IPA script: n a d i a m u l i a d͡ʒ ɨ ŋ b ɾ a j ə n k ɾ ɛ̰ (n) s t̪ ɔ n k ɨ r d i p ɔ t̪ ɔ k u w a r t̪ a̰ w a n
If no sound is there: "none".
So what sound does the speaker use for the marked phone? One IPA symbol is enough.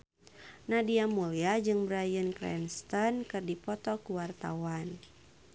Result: n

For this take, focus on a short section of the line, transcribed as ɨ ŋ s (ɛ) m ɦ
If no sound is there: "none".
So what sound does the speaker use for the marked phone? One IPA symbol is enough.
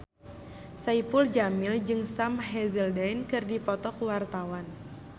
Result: a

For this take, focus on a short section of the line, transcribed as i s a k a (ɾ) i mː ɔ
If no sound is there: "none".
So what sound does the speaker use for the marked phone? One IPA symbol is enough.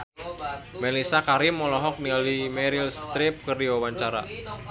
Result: ɾ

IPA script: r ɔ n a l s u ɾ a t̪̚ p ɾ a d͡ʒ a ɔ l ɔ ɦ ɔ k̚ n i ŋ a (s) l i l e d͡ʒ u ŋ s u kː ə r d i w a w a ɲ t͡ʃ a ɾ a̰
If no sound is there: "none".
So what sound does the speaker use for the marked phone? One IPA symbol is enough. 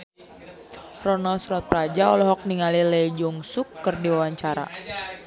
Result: none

